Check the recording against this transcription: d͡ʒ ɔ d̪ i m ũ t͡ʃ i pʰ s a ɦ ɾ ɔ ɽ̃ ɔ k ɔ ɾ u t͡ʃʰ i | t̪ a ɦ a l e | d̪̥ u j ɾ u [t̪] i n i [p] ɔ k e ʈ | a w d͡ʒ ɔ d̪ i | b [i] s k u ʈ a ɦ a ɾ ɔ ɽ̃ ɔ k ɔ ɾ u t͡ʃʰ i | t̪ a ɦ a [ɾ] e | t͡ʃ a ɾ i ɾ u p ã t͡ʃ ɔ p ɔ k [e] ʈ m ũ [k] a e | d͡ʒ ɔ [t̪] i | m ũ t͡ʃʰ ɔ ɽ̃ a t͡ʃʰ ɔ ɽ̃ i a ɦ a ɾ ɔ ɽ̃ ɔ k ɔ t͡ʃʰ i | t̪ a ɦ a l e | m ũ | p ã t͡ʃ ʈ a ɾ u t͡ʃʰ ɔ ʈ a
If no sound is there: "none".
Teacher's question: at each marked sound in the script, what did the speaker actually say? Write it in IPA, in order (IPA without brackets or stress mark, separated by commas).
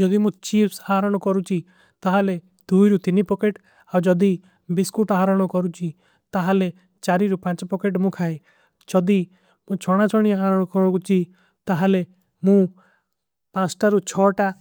t̪, p, i, l, e, kʰ, d̪